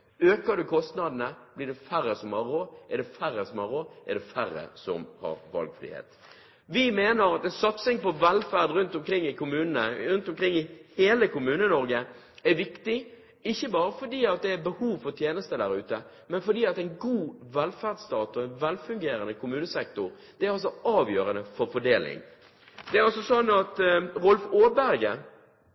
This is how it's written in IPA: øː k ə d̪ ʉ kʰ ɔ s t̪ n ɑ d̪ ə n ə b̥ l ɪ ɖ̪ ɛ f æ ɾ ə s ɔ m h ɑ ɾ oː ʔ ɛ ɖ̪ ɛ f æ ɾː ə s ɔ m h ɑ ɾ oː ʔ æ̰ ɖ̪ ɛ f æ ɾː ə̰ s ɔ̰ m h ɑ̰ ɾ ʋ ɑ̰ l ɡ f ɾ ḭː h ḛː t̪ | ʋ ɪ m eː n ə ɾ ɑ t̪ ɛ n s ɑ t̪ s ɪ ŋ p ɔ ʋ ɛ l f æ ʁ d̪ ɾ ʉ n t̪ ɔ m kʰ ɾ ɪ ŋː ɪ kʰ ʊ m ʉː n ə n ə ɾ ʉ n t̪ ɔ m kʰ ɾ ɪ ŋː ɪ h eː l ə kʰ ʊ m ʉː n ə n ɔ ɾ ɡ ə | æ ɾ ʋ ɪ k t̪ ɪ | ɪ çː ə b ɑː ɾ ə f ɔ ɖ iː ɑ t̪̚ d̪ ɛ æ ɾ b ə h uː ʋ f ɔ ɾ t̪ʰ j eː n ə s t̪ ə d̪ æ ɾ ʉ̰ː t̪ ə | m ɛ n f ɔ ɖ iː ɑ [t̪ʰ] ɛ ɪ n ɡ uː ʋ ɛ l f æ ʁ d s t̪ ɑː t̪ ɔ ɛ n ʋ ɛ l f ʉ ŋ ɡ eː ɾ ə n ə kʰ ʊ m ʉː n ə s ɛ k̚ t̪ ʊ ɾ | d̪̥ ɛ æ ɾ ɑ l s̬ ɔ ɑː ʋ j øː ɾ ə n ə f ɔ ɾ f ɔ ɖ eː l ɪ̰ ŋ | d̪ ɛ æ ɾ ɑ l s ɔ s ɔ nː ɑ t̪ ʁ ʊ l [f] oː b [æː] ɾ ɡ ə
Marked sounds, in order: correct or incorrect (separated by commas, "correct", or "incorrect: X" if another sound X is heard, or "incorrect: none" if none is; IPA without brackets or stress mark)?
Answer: incorrect: t̪, correct, incorrect: æ